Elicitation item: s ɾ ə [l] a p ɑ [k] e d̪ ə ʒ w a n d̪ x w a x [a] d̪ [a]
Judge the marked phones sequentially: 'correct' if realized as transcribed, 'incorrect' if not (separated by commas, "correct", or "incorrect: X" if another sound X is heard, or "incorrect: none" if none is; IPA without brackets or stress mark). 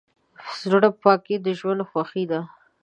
incorrect: ɽ, correct, incorrect: i, correct